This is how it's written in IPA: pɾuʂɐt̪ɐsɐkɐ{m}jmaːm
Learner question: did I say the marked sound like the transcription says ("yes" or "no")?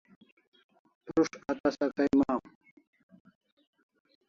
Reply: no